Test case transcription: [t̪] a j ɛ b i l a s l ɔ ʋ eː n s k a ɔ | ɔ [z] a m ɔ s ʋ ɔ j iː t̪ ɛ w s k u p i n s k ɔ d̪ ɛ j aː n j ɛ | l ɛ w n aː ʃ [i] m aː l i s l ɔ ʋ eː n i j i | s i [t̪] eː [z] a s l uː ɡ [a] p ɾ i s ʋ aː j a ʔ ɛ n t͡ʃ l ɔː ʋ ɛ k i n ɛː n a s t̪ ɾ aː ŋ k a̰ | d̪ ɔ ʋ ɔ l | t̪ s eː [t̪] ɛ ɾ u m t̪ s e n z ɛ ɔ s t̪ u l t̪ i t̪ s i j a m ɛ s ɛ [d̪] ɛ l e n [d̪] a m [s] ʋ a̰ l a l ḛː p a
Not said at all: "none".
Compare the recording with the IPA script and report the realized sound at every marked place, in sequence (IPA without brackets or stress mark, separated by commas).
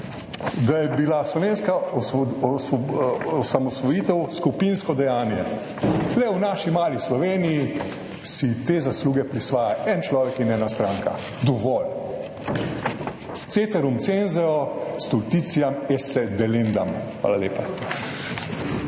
d̪, s, i, t̪, z, ɛ, t̪, d̪, d̪, x